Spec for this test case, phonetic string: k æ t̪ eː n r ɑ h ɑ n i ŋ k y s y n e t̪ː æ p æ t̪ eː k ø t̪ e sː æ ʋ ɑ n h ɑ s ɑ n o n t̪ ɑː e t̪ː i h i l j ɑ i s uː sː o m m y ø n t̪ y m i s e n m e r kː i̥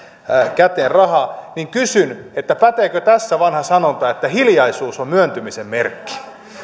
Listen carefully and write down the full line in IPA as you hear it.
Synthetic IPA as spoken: k æ t̪ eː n r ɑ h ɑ n i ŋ k y s y n e t̪ː æ p æ t̪ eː k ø t̪ æ sː æ ʋ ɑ n h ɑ s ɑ n o n t̪ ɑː e t̪ː æ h i l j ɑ i s uː s o m m y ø n t̪ y m i s e m m e r kː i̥